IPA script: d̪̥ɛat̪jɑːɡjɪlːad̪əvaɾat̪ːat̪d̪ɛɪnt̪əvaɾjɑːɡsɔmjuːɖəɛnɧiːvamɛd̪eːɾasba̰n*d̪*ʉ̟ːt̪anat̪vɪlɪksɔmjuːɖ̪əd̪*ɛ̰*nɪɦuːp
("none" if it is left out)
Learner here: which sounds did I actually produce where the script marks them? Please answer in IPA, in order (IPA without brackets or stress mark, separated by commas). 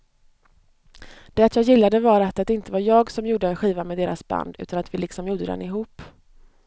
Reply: d̪, ɛ̰